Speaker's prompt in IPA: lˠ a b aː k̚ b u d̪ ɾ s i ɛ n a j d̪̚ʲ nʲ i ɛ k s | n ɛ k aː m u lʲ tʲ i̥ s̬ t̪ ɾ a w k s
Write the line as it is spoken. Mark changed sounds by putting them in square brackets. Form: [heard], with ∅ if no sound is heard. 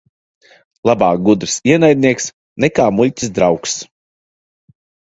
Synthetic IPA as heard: lˠ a b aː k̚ [ɡ] u d̪ ɾ s i ɛ n a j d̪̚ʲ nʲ i ɛ k s | n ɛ k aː m u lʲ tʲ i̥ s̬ [d̪] ɾ a w k s